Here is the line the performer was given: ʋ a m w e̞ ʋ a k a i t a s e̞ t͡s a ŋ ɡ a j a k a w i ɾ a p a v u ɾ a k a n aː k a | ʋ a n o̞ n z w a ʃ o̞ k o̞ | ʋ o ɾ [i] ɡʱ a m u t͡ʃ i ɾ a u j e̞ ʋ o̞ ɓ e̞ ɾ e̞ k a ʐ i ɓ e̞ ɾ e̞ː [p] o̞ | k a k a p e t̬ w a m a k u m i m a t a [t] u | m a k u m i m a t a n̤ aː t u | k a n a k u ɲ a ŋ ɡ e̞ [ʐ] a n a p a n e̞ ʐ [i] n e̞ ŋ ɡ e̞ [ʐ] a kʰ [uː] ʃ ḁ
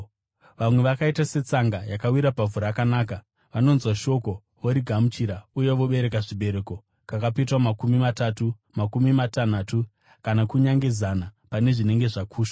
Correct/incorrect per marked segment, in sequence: correct, incorrect: k, correct, incorrect: z, correct, correct, correct

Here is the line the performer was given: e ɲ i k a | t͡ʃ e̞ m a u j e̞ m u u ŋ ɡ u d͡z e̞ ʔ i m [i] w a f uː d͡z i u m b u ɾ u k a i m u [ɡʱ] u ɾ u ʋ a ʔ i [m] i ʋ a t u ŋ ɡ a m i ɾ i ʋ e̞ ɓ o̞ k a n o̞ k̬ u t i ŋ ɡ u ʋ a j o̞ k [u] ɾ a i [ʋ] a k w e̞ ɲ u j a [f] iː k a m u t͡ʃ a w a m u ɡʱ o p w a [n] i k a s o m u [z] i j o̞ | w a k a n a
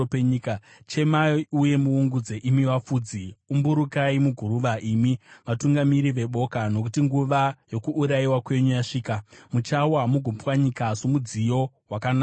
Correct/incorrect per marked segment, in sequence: correct, correct, correct, incorrect: uː, incorrect: w, incorrect: ʂ, incorrect: ɲ, incorrect: d͡z

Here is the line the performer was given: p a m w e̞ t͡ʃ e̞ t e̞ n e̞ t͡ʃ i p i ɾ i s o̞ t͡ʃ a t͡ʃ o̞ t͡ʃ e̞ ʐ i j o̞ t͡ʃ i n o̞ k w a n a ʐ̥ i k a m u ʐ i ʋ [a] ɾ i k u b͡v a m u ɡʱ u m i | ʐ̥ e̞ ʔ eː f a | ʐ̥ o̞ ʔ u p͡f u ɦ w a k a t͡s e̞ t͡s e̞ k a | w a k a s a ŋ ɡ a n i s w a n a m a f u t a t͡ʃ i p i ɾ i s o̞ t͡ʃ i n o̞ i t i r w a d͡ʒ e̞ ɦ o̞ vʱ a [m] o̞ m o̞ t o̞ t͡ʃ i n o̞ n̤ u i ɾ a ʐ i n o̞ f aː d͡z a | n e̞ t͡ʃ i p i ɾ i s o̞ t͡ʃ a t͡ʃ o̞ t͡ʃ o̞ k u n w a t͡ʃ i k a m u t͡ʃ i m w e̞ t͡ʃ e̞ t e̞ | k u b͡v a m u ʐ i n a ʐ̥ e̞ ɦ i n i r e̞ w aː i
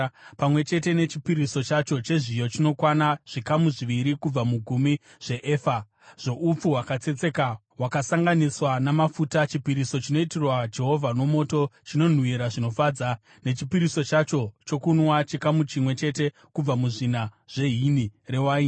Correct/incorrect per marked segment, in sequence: incorrect: i, incorrect: n

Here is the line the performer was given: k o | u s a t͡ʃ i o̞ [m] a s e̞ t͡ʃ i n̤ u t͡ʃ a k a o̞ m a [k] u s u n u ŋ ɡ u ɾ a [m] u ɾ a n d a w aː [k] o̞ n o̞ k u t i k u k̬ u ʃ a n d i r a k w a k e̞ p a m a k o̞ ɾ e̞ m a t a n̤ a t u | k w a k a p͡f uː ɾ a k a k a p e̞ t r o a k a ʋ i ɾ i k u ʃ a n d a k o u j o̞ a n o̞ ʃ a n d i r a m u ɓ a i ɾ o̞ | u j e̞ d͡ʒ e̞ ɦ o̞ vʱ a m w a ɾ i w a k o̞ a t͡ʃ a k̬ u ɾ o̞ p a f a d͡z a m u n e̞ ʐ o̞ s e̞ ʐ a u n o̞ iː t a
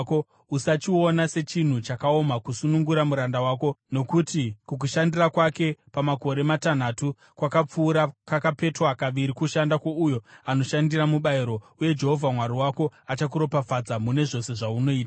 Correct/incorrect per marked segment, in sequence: incorrect: n, correct, correct, correct

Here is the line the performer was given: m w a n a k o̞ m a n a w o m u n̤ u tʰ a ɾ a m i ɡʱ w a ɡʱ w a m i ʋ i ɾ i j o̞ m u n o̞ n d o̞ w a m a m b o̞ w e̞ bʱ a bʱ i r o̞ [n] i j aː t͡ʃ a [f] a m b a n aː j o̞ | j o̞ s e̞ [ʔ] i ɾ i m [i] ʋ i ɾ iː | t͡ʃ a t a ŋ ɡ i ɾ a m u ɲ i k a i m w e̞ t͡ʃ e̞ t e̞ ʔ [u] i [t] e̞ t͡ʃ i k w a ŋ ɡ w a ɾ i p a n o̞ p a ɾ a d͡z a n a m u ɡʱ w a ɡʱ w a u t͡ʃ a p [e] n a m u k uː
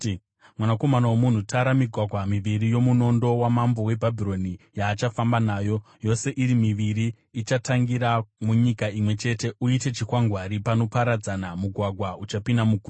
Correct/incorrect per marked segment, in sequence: correct, correct, correct, correct, correct, correct, incorrect: i

